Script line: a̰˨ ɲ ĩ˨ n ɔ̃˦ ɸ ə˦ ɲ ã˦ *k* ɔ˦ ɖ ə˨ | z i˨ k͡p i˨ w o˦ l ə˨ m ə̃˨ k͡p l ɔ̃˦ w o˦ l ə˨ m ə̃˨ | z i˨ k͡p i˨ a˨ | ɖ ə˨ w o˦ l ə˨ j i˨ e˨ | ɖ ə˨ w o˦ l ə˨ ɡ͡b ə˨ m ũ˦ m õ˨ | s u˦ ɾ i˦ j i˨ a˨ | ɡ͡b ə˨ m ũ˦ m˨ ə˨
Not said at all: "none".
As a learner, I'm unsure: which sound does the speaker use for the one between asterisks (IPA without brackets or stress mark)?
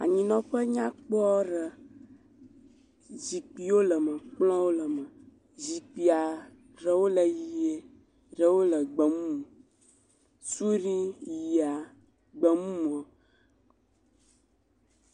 k͡p